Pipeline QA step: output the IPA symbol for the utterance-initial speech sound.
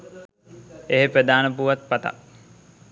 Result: e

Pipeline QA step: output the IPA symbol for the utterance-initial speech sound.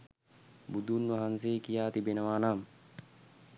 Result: b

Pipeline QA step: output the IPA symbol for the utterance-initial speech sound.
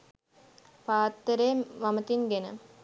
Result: p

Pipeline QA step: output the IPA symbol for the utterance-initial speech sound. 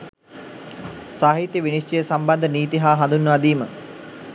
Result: s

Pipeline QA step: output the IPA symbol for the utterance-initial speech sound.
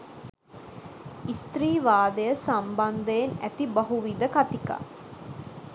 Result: i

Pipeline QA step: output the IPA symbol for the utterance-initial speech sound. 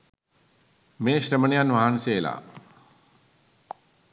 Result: m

